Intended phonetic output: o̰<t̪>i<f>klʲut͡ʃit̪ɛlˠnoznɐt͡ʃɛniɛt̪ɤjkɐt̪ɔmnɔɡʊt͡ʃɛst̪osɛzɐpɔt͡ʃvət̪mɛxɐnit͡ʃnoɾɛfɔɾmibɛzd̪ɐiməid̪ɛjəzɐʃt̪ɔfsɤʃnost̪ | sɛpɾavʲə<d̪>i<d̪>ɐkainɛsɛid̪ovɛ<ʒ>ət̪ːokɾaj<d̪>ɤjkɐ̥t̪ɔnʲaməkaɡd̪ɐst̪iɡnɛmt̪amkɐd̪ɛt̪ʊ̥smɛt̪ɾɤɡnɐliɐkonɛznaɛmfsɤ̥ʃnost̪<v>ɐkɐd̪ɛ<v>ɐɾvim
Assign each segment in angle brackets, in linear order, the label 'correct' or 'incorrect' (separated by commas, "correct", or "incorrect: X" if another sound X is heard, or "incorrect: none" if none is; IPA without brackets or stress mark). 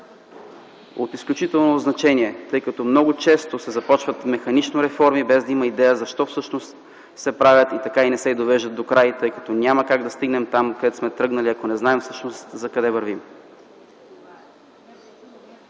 correct, incorrect: s, incorrect: t̪, incorrect: t̪, correct, incorrect: t̪, incorrect: z, correct